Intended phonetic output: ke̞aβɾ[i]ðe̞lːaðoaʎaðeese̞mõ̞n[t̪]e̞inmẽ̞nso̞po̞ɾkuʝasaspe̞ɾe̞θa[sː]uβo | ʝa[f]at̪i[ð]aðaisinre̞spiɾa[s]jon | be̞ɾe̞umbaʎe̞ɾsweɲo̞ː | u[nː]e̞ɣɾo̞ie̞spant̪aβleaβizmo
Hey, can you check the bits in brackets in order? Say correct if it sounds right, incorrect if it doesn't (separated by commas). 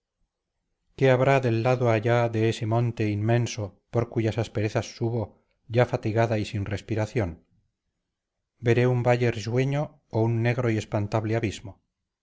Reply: incorrect, correct, correct, correct, incorrect, incorrect, correct